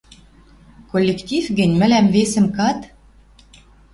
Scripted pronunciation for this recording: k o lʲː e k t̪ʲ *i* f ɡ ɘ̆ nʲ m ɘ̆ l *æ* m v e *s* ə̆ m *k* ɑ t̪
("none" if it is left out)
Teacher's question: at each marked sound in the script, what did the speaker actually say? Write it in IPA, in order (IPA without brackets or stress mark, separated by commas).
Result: i, æ, s, k